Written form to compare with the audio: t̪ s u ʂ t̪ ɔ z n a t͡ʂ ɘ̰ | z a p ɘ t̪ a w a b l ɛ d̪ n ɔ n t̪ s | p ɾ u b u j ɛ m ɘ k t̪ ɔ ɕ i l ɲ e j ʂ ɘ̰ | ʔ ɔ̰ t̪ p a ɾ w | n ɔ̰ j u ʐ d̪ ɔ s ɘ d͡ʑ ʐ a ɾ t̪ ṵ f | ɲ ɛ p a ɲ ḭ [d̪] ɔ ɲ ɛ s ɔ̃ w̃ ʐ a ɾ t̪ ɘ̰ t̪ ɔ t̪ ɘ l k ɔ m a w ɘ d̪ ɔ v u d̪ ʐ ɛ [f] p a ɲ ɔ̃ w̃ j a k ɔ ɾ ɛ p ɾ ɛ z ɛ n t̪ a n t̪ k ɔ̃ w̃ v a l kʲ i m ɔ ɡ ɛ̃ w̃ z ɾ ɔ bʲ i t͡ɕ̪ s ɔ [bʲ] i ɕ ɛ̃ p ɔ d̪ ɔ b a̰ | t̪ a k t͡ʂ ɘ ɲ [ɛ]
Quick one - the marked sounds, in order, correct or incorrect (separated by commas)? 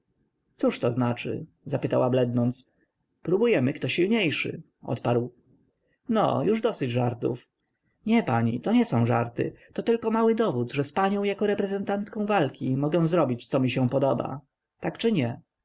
incorrect, incorrect, incorrect, correct